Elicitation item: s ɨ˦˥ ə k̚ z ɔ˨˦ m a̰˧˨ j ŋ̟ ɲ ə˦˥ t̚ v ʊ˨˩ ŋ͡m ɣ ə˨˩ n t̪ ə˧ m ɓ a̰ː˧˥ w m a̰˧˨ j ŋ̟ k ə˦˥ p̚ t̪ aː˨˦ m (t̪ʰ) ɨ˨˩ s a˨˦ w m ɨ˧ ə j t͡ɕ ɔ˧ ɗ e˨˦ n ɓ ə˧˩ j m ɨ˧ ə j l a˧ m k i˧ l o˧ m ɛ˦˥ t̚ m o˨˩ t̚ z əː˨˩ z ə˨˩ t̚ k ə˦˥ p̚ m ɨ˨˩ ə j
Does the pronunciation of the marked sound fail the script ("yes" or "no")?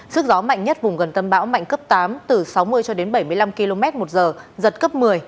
yes